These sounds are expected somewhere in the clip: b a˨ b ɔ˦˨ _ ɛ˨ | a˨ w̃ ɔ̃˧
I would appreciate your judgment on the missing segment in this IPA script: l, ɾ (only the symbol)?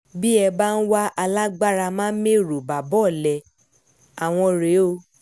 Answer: l